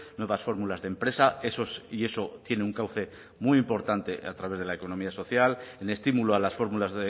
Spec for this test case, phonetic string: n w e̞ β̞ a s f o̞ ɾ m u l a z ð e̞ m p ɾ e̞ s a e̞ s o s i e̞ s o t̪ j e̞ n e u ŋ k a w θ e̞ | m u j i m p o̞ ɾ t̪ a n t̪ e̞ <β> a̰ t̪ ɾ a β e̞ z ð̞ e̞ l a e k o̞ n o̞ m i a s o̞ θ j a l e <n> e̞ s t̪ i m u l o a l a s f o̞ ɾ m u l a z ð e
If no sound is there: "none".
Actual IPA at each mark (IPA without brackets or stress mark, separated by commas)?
none, n